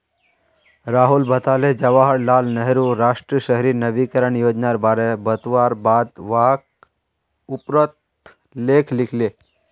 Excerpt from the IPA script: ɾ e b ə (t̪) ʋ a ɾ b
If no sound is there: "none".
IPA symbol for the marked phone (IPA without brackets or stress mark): t̪